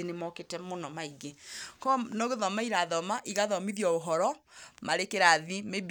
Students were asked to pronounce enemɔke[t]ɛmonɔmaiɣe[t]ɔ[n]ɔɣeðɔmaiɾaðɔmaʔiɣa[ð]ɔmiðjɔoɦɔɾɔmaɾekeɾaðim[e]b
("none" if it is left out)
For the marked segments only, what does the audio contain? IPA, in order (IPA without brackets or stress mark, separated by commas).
t, k, n, ð, e